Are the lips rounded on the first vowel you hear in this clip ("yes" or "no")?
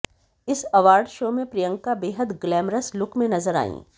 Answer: no